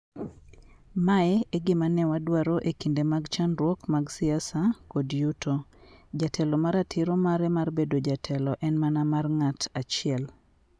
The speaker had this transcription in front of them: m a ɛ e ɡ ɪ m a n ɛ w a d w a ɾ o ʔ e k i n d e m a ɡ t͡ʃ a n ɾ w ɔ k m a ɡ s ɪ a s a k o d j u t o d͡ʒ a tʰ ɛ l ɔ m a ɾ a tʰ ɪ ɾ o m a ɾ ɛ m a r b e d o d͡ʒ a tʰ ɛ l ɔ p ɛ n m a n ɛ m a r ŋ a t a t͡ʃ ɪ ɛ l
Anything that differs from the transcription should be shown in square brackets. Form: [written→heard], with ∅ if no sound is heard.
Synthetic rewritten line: m a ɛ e ɡ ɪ m a n ɛ w a d w a ɾ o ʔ e k i n d e m a ɡ t͡ʃ a n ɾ w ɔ k m a ɡ s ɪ a s a k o d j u t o d͡ʒ a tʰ ɛ l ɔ m a ɾ a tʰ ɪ ɾ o m a ɾ ɛ m a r b e d o d͡ʒ a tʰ ɛ l ɔ [p→ʔ] ɛ n m a n [ɛ→a] m a r ŋ a t a t͡ʃ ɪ ɛ l